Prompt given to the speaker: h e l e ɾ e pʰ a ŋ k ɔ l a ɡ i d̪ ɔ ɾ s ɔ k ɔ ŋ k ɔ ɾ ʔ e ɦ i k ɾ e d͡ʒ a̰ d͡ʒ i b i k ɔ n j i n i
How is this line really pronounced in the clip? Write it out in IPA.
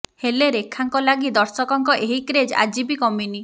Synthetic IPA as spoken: h e l e ɾ e kʰ a ŋ k ɔ l a ɡ i d̪ ɔ ɾ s ɔ k ɔ ŋ k ɔ ʔ e ɦ i k ɾ e d͡ʒ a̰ d͡ʒ i b i k ɔ m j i n i